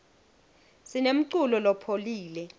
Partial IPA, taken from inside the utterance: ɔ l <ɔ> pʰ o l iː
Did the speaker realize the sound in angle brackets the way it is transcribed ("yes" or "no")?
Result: yes